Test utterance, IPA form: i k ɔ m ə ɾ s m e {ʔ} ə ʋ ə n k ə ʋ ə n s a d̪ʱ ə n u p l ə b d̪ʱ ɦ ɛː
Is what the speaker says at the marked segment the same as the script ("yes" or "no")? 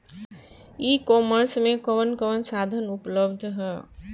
no